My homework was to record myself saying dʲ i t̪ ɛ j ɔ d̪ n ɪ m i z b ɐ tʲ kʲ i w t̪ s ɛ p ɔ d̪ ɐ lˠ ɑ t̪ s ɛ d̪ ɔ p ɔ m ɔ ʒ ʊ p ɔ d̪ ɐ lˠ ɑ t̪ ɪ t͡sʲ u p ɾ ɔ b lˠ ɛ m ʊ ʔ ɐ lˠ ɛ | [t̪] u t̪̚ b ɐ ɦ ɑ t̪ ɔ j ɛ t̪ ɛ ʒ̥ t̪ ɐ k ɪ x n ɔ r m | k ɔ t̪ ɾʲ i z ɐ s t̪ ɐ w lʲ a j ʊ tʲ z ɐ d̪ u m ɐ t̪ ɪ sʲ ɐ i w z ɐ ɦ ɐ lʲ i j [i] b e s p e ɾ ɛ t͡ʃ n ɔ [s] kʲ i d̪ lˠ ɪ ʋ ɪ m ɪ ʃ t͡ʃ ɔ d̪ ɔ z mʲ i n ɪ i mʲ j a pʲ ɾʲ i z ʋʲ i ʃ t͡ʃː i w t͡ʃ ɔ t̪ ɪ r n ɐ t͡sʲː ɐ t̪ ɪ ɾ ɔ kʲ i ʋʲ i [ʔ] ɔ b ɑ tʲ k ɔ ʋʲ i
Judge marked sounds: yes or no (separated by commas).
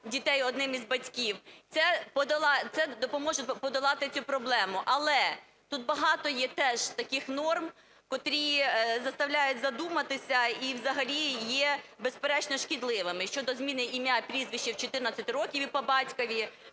yes, no, no, no